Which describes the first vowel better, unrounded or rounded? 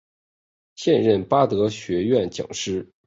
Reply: unrounded